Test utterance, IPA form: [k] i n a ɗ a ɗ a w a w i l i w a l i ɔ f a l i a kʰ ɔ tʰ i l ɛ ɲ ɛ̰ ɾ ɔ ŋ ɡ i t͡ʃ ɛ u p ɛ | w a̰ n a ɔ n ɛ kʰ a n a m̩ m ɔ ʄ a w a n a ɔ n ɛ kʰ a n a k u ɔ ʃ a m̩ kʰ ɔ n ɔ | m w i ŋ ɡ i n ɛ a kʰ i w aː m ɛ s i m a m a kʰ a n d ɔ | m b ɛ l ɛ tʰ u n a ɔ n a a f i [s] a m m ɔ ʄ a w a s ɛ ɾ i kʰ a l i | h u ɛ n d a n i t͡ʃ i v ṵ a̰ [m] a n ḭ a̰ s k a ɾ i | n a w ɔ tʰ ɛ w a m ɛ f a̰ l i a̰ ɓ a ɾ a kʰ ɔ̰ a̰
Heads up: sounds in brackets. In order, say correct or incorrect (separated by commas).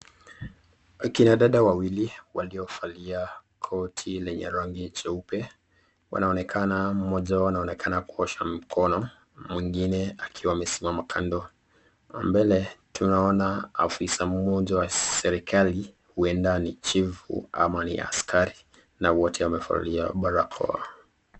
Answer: correct, correct, correct